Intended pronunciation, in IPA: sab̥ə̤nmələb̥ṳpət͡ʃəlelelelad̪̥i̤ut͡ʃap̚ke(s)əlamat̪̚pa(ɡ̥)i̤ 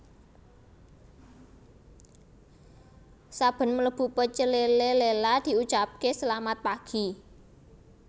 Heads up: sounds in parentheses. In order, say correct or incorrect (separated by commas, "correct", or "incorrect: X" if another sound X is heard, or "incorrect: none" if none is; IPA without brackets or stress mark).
correct, correct